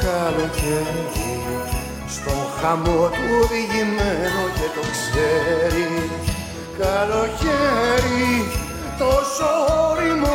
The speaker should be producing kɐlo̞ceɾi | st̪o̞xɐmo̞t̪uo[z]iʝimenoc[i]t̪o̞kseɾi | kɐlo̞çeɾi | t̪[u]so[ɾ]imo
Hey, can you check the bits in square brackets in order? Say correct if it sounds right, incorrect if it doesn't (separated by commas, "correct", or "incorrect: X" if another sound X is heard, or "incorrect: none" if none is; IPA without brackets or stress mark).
incorrect: ð, incorrect: e, incorrect: o, correct